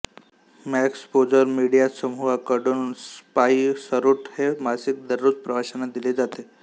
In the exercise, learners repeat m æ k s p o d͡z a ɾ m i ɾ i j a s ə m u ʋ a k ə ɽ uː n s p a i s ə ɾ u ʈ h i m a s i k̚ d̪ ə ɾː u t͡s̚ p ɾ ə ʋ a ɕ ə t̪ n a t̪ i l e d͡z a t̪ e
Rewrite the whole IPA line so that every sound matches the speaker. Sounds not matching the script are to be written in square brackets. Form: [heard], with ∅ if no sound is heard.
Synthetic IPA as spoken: m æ k s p o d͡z [ə] ɾ m i [ɽ] i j a s ə m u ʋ a k ə ɽ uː n s p a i s ə ɾ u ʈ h [e] m a s i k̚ d̪ ə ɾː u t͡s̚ p ɾ ə ʋ a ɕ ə [∅] n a [d̪] i l e d͡z a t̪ e